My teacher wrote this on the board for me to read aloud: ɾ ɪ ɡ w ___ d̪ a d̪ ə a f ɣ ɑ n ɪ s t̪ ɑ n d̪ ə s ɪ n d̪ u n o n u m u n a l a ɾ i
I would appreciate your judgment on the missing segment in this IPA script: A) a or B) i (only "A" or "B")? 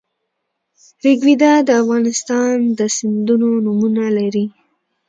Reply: B